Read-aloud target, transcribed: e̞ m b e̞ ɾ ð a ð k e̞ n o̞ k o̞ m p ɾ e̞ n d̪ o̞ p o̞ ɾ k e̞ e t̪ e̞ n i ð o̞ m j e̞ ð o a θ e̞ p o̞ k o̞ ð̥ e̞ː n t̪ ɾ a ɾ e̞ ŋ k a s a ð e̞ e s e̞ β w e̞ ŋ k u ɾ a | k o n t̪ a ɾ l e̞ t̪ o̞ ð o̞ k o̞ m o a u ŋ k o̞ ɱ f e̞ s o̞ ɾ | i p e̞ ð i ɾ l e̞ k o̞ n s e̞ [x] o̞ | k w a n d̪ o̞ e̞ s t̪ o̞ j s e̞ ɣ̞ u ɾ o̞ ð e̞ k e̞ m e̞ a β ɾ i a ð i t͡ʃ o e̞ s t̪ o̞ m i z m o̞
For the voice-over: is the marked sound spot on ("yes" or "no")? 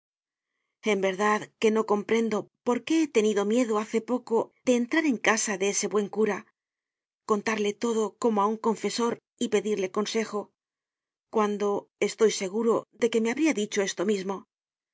yes